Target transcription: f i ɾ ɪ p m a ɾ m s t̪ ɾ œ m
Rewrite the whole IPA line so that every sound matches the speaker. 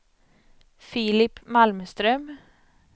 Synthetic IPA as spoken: f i l ɪ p m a l m s t̪ ɾ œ m